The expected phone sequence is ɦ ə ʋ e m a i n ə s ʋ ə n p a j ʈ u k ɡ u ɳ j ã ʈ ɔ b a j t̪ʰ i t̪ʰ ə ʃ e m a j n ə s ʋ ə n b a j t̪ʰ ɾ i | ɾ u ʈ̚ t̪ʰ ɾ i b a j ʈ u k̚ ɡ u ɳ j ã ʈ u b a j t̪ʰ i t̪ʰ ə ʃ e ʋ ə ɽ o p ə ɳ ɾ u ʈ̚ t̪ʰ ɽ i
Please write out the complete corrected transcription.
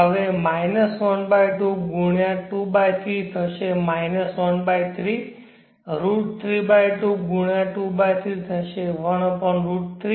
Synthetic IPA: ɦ ə ʋ e m a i n ə s ʋ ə n b a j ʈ u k ɡ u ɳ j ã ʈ u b a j t̪ʰ i t̪ʰ ə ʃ e m a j n ə s ʋ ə n b a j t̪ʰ ɾ i | ɾ u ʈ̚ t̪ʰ ɾ i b a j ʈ u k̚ ɡ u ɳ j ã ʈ u b a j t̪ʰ i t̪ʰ ə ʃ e ʋ ə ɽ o p ə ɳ ɾ u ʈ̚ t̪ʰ ɾ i